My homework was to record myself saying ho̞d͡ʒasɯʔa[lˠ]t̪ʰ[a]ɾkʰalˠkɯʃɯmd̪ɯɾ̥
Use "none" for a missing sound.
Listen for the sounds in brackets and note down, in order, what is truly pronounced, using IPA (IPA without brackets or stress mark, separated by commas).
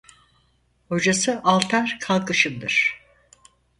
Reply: lˠ, a